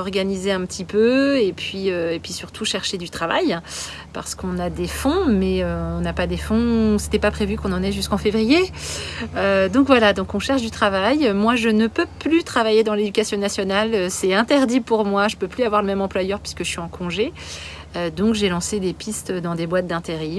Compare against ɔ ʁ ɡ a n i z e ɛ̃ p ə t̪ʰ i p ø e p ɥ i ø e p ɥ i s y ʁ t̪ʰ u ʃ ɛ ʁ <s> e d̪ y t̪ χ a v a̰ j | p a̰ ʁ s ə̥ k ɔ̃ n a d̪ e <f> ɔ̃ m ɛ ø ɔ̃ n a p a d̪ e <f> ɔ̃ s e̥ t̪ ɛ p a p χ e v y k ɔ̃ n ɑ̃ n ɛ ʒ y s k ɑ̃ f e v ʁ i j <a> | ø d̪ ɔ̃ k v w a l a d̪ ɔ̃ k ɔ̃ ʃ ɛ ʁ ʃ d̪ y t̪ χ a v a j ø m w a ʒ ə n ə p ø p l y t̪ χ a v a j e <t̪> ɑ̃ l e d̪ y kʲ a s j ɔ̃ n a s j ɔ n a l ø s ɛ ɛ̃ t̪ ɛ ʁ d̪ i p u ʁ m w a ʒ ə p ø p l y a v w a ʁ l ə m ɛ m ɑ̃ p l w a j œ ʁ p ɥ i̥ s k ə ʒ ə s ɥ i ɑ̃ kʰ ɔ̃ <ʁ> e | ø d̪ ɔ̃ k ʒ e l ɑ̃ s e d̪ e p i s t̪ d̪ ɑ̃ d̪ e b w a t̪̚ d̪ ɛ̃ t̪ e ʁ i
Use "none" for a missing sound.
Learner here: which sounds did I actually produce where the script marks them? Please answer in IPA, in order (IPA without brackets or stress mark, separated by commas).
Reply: ʃ, f, f, e, d̪, ʒ